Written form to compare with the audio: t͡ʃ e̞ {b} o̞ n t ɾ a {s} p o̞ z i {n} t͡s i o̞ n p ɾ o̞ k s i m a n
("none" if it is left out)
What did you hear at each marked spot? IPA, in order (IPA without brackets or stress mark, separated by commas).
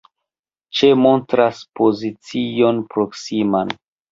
m, s, none